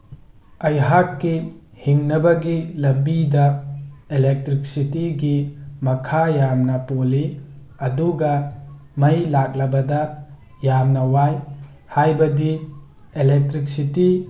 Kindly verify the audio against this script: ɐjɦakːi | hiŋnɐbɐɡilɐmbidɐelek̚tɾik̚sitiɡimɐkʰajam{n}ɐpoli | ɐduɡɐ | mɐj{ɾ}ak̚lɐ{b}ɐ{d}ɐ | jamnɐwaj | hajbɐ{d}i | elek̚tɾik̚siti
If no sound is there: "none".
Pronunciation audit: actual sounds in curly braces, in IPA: n, l, b, d, d

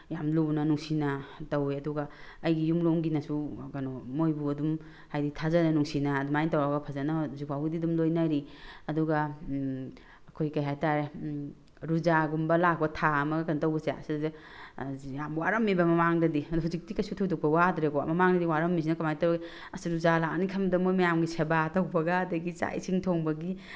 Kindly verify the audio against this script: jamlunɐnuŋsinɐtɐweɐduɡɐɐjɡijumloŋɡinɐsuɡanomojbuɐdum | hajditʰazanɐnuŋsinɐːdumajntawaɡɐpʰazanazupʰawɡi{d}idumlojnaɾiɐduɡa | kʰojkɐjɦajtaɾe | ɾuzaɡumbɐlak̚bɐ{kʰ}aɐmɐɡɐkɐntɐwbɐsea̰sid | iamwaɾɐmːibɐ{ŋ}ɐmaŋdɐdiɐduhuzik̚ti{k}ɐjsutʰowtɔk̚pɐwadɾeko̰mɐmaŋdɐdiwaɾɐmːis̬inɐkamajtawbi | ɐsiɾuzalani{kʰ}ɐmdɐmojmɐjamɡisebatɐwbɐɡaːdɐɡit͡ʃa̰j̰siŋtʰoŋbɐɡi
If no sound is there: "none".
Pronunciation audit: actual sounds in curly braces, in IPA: d, tʰ, m, k, kʰ

